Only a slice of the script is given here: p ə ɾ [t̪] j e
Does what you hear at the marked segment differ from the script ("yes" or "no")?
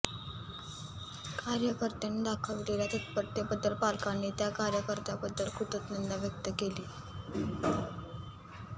no